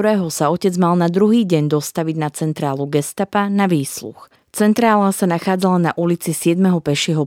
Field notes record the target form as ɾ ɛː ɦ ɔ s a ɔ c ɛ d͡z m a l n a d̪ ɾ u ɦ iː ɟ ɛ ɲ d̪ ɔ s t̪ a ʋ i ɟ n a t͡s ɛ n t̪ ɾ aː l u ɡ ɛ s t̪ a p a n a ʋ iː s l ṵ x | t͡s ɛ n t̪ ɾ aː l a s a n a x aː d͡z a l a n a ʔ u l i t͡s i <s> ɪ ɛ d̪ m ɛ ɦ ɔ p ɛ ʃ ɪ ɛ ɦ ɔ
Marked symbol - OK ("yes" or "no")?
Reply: yes